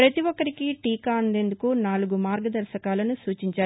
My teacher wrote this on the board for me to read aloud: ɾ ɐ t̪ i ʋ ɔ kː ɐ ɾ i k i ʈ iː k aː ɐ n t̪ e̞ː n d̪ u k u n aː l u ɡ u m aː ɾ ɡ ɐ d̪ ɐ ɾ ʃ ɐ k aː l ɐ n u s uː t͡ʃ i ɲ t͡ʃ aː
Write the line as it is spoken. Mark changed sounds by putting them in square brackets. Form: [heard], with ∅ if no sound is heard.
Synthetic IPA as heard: ɾ ɐ t̪ i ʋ ɔ kː ɐ ɾ i k i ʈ iː k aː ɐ n [d̪] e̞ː n d̪ u k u n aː l u ɡ u m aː ɾ ɡ ɐ d̪ ɐ ɾ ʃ ɐ k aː l ɐ n u s uː t͡ʃ i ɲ t͡ʃ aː